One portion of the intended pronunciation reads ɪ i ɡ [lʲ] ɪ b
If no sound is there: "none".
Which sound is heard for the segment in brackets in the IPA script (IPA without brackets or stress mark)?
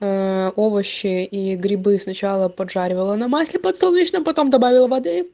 ɾʲ